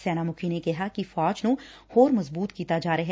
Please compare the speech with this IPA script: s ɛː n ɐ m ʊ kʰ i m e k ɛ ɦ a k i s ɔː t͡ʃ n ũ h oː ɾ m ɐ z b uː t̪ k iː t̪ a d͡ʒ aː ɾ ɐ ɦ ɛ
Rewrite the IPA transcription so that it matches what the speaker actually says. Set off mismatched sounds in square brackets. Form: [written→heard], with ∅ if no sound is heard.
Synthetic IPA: s ɛː n [ɐ→a] m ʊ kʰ i [m→n] e k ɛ ɦ a k i [s→f] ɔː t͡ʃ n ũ h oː ɾ m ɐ z b uː t̪ k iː t̪ a d͡ʒ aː ɾ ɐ ɦ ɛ